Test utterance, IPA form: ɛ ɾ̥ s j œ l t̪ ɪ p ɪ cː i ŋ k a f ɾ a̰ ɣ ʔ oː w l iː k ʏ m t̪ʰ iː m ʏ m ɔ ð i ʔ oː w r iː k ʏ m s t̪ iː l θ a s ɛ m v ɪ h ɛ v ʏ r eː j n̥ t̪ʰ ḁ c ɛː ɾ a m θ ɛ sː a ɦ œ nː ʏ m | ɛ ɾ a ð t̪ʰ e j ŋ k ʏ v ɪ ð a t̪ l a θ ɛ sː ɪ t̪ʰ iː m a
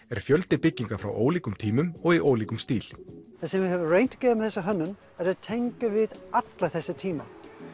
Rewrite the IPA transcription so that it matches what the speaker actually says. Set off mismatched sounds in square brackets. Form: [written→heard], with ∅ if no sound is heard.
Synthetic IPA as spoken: ɛ ɾ̥ [s→f] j œ l t̪ ɪ p ɪ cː i ŋ k a f ɾ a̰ [ɣ→w] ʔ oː w l iː k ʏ m t̪ʰ iː m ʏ m ɔ [ð→ɣ] i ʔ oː w [r→l] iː k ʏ m s t̪ iː l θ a s ɛ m v ɪ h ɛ v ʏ r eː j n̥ [t̪ʰ→t̪] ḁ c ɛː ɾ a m θ ɛ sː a ɦ œ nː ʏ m | ɛ ɾ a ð t̪ʰ e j ŋ k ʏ v ɪ ð a t̪ l a θ ɛ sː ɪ t̪ʰ iː m a